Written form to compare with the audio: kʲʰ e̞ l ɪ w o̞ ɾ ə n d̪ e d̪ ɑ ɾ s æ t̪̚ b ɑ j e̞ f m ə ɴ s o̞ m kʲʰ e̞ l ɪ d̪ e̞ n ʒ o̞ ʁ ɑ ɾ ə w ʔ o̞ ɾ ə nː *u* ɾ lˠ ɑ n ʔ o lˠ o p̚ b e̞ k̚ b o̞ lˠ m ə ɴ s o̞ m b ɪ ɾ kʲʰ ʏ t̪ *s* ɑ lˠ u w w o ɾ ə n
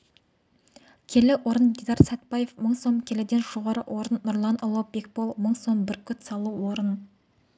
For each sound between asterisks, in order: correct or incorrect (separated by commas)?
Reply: incorrect, correct